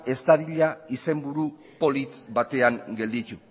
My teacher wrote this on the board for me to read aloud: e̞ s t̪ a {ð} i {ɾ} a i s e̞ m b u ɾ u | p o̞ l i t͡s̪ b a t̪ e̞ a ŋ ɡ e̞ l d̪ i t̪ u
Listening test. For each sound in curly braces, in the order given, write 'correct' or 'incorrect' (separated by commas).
correct, incorrect